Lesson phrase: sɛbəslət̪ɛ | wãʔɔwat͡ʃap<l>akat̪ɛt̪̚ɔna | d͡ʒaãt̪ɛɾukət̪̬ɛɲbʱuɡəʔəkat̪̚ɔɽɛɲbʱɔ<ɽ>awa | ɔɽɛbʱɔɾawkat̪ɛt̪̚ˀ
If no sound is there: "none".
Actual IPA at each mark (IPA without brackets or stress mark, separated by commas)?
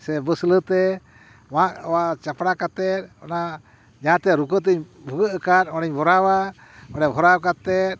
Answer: ɽ, ɾ